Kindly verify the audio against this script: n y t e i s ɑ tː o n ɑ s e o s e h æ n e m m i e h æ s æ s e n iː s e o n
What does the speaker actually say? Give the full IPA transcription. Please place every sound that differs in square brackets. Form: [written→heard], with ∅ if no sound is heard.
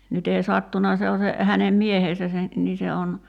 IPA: n y t e i s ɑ tː [o→u] n ɑ s e o s e h æ n e m m i e h [æ→e] s æ s e n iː s e o n